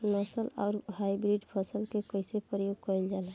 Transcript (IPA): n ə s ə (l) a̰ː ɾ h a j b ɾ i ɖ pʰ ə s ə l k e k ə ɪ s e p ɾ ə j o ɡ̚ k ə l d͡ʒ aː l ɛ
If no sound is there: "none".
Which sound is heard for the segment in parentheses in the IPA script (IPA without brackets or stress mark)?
l